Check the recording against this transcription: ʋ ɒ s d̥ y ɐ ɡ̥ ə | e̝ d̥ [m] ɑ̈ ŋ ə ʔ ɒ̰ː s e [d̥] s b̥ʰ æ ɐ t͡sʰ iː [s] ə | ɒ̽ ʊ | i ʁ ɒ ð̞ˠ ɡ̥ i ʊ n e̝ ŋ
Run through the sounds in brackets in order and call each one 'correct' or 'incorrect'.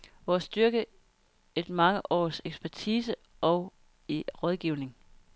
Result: correct, incorrect: ɡ̥, correct

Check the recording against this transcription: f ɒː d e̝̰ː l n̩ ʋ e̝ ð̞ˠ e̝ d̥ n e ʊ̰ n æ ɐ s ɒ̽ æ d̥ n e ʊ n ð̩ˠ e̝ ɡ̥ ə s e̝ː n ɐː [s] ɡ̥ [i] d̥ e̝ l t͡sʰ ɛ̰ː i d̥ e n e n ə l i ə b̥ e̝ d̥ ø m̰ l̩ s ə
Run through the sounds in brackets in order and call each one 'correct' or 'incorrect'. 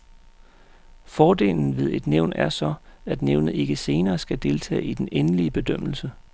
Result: correct, incorrect: æ

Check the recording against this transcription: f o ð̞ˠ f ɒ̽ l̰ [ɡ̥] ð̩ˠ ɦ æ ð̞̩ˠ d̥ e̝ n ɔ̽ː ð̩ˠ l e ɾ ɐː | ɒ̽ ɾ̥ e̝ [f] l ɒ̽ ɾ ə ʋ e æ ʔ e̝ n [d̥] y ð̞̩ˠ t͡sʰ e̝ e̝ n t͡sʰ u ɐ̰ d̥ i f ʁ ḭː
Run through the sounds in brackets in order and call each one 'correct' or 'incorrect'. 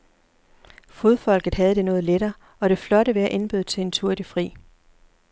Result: correct, correct, incorrect: b̥

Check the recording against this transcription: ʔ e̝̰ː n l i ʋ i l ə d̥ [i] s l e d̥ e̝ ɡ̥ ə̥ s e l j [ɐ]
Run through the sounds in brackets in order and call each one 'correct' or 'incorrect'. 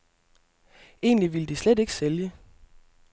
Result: correct, incorrect: ə

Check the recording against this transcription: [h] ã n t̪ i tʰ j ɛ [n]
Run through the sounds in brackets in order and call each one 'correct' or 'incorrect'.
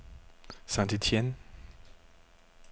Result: incorrect: s, correct

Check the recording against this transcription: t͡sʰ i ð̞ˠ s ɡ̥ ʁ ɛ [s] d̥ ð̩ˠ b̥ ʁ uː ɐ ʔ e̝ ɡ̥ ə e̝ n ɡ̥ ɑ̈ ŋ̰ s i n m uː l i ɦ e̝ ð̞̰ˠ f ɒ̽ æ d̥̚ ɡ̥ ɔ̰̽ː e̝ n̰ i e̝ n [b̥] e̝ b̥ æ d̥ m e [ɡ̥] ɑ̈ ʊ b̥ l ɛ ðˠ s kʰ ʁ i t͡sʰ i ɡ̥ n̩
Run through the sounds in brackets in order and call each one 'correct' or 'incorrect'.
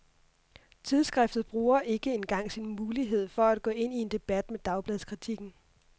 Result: incorrect: f, incorrect: d̥, incorrect: d̥

